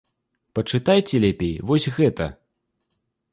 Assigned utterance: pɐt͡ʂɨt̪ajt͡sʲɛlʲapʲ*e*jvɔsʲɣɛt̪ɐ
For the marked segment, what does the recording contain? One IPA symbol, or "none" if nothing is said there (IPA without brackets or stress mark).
e